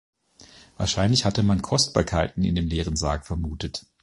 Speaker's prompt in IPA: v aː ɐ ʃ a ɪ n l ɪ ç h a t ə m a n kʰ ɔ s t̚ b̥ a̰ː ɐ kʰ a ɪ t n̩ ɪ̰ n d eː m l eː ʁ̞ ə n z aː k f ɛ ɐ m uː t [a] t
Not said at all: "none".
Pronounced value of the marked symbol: ə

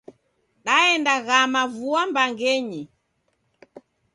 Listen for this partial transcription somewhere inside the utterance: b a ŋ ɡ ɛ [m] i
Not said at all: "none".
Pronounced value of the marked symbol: ɲ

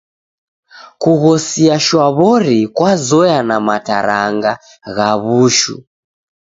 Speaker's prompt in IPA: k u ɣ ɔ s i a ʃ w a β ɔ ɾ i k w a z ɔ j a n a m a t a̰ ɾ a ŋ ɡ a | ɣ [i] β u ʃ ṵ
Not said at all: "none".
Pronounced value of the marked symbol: a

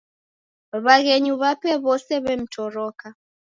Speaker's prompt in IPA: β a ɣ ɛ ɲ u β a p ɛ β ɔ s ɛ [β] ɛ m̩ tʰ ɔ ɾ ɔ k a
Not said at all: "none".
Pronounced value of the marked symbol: β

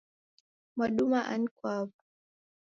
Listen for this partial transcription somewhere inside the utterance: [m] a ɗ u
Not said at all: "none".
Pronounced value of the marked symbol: m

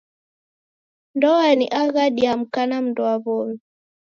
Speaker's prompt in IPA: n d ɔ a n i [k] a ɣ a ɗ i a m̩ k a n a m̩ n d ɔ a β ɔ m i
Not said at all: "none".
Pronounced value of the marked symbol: ʔ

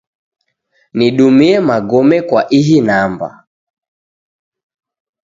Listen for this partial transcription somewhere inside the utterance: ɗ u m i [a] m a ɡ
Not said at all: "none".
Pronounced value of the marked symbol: ɛ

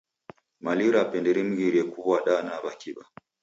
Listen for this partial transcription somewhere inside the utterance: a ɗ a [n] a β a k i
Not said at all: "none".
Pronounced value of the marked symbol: n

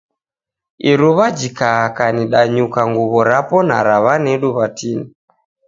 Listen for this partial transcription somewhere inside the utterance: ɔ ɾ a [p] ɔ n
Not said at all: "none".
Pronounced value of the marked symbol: p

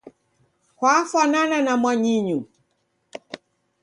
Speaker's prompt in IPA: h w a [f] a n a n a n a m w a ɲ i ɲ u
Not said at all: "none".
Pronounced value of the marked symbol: f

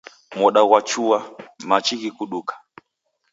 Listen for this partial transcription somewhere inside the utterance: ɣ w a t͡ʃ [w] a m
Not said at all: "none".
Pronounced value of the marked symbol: u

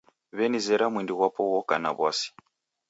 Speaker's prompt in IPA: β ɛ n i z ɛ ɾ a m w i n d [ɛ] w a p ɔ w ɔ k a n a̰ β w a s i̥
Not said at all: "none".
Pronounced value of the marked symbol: i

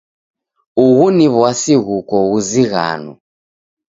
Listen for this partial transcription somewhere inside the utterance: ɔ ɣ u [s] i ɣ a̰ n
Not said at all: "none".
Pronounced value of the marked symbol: z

